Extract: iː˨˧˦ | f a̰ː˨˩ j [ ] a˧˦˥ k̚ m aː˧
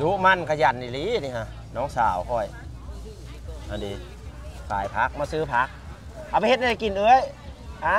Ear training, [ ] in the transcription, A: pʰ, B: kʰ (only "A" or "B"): A